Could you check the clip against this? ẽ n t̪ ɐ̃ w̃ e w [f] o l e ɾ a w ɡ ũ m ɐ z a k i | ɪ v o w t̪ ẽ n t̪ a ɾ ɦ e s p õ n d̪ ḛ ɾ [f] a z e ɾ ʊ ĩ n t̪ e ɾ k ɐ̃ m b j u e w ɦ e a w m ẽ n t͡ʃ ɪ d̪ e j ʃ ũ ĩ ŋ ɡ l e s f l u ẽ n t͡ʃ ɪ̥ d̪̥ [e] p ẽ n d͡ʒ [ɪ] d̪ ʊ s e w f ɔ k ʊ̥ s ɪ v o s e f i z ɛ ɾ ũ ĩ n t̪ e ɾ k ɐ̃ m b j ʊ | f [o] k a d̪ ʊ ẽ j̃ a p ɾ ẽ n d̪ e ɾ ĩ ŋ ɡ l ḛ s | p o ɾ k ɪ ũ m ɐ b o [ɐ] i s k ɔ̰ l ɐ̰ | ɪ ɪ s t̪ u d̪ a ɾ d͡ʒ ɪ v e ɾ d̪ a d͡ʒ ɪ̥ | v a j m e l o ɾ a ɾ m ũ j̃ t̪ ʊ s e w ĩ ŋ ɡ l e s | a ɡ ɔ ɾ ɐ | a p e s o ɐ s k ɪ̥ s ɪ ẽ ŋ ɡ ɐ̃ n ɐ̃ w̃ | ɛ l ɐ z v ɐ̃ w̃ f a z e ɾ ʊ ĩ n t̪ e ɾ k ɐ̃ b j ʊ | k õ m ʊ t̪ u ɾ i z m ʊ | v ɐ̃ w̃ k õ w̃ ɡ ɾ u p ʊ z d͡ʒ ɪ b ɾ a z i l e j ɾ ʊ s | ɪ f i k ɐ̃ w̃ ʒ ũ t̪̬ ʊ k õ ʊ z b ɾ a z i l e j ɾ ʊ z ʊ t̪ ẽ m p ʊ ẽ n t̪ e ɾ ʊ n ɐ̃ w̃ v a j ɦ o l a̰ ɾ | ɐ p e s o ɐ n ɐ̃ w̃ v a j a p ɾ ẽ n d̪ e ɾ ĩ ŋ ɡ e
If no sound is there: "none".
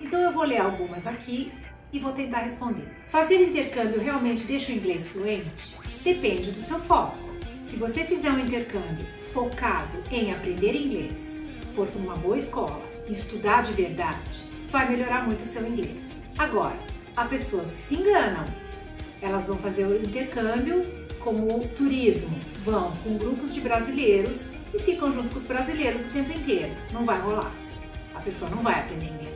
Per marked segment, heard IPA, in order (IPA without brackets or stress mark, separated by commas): v, f, e, ɪ, o, ɐ